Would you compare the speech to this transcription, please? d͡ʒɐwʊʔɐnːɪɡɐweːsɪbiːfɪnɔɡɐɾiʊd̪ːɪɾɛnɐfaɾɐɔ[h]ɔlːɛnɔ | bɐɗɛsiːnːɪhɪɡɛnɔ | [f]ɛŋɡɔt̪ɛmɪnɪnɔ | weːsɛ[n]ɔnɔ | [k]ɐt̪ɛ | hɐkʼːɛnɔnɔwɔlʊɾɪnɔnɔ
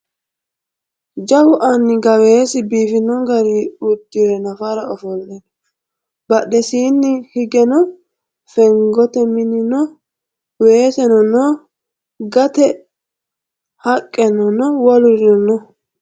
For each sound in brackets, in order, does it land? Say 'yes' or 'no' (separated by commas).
no, yes, yes, no